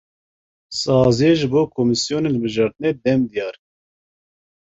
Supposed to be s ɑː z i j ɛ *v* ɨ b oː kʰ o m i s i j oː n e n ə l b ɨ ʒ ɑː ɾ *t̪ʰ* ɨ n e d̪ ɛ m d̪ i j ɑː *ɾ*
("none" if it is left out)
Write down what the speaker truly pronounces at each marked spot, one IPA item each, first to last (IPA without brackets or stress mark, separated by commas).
ʒ, t̪, ɾ